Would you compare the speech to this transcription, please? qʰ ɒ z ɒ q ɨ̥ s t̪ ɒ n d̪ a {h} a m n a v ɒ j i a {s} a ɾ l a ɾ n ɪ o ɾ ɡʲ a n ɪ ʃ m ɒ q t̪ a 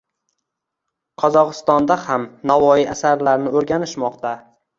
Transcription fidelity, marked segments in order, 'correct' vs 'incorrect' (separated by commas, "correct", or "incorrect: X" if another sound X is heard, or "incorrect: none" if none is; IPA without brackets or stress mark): correct, correct